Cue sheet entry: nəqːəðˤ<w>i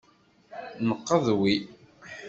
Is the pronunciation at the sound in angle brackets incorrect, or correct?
correct